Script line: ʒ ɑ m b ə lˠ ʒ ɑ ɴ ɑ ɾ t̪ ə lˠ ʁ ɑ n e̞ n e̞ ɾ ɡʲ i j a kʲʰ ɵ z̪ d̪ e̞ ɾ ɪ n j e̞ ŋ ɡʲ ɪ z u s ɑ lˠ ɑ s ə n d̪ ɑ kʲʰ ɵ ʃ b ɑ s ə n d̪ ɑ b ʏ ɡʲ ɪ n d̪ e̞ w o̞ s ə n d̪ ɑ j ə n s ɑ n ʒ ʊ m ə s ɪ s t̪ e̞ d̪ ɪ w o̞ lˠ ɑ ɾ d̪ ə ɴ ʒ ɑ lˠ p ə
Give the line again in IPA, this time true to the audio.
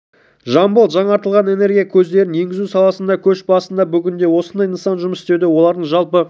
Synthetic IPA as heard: ʒ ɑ m b ə lˠ ʒ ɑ ɴ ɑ ɾ t̪ ə lˠ ʁ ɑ n e̞ n e̞ ɾ ɡʲ i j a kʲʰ ɵ z̪ d̪ e̞ ɾ ɪ n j e̞ ŋ ɡʲ ɪ z u s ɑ lˠ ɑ s ə n d̪ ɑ kʲʰ ɵ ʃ b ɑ s ə n d̪ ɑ b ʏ ɡʲ ɪ n d̪ e̞ w o̞ s ə n d̪ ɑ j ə n s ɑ n ʒ ʊ m ə s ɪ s t̪ e̞ d̪ ɪ w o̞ lˠ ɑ ɾ d̪ ə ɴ ʒ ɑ lˠ p ə

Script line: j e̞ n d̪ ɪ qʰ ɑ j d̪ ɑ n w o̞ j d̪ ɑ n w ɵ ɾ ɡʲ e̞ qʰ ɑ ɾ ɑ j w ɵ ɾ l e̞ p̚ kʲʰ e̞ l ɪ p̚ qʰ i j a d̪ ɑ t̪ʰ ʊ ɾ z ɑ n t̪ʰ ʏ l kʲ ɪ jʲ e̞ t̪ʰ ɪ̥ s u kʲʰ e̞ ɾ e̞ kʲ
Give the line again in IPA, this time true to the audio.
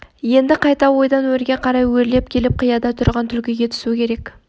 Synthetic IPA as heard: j e̞ n d̪ ɪ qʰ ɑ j t̪ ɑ w o̞ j d̪ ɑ n w ɵ ɾ ɡʲ e̞ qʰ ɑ ɾ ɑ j w ɵ ɾ l e̞ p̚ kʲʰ e̞ l ɪ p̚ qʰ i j ɑ d̪ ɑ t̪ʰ ʊ ɾ ʁ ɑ n t̪ʰ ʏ l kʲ ɪ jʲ e̞ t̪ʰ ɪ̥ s u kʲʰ e̞ ɾ e̞ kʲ

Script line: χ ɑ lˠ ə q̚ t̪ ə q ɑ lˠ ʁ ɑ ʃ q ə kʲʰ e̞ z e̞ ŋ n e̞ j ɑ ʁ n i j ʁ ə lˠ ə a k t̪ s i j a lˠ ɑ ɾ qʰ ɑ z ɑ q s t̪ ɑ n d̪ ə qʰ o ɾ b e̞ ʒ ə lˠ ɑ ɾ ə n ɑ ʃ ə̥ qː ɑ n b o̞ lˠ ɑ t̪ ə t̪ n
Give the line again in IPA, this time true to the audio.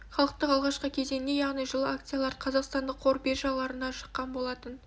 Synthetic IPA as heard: χ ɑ lˠ ə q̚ t̪ ə q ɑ lˠ ʁ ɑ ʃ q ə kʲʰ e̞ z e̞ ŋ n e̞ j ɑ ʁ n i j ʒ ə lˠ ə a k t̪ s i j a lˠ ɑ ɾ qʰ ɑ z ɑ q s t̪ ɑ n d̪ ə qʰ o ɾ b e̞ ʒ ɑ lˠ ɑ ɾ ə n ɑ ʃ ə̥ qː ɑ n b o̞ lˠ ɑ t̪ ə n

